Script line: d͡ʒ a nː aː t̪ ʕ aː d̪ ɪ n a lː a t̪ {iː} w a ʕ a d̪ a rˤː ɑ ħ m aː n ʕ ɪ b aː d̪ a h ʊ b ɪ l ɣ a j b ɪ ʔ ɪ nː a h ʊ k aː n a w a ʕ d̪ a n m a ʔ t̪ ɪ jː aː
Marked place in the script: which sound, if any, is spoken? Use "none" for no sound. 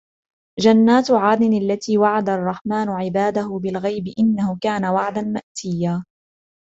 iː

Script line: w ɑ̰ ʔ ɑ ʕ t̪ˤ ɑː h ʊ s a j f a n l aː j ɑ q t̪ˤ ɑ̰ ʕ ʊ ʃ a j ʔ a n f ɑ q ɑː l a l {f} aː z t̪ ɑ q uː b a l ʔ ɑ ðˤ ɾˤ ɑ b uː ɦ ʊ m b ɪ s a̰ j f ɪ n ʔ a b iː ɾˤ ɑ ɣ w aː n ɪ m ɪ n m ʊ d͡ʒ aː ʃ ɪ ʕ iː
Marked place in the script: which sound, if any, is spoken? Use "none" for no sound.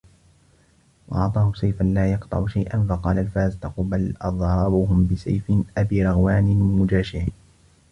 f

